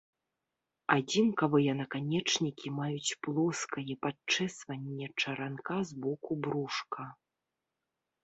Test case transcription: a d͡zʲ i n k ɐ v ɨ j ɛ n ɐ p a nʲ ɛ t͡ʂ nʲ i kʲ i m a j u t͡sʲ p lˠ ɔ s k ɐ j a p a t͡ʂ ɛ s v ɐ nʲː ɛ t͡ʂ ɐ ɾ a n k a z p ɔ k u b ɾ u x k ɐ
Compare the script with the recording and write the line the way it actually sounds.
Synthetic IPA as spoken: a d͡zʲ i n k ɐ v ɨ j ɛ n ɐ k a nʲ ɛ t͡ʂ nʲ i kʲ i m a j u t͡sʲ p lˠ ɔ s k ɐ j ɛ p a t͡ʂ ɛ s v ɐ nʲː ɛ t͡ʂ ɐ ɾ a n k a z b ɔ k u b ɾ u ʂ k ɐ